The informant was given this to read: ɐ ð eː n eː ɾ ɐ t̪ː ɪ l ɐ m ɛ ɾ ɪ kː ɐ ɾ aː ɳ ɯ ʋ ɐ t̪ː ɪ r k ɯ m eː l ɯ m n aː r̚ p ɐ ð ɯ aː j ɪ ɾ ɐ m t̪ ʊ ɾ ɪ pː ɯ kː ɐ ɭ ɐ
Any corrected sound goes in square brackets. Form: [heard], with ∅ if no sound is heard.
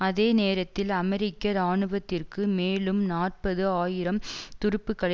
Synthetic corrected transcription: ɐ ð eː n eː ɾ ɐ t̪ː ɪ l ɐ m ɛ ɾ ɪ kː ɐ ɾ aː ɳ ɯ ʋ ɐ t̪ː ɪ r k ɯ m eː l ɯ m n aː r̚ p ɐ ð ɯ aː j ɪ ɾ ɐ m t̪ ʊ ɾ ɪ pː ɯ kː ɐ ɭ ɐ